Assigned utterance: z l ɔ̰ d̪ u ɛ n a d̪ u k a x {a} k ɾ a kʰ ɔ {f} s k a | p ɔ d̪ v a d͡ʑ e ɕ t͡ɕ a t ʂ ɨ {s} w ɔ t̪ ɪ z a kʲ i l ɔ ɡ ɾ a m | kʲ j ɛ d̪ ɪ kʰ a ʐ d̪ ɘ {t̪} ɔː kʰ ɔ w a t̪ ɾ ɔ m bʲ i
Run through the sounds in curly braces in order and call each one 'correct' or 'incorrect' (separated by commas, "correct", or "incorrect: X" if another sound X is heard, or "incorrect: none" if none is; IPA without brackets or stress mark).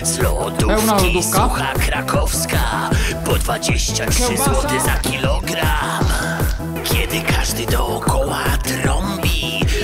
correct, correct, incorrect: z, incorrect: d̪